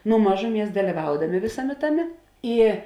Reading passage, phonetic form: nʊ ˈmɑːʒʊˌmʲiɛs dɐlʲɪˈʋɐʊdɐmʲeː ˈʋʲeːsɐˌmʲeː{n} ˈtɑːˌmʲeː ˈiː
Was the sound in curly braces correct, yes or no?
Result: no